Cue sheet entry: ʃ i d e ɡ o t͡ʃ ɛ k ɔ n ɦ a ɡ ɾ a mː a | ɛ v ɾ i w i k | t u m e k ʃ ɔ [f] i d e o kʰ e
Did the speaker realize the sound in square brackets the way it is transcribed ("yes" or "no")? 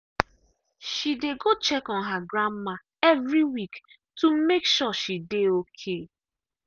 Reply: no